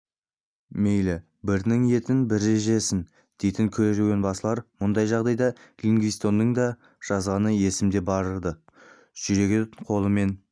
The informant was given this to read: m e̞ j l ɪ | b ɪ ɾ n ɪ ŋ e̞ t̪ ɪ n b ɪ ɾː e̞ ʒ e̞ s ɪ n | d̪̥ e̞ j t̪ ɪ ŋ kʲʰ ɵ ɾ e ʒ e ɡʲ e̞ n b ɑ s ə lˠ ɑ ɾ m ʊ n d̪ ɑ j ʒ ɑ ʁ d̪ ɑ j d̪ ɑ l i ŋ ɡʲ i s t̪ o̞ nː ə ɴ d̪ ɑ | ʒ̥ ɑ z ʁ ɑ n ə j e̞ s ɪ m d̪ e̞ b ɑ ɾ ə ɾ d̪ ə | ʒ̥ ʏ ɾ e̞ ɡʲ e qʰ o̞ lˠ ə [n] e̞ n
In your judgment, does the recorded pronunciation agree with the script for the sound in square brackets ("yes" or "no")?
no